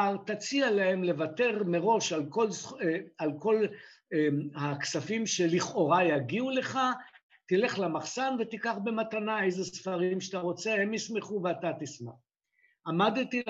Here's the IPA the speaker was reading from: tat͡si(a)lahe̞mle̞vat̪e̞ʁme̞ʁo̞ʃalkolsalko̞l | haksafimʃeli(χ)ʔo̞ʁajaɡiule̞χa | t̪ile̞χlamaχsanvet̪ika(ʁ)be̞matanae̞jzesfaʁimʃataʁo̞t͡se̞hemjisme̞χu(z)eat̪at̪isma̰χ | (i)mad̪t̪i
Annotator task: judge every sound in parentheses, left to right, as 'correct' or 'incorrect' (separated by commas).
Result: correct, correct, incorrect, incorrect, incorrect